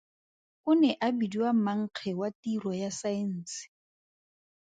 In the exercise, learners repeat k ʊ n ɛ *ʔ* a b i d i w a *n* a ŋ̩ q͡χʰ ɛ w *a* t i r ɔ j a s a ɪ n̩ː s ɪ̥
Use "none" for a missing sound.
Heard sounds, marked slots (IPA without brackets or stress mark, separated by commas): ʔ, m, a